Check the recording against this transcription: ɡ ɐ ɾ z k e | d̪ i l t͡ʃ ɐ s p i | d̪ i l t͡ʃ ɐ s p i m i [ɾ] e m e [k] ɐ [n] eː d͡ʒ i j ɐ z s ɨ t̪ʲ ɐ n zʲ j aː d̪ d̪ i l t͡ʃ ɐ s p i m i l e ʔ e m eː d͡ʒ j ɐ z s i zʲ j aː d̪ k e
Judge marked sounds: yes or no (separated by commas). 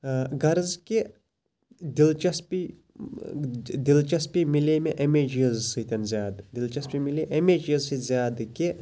no, no, no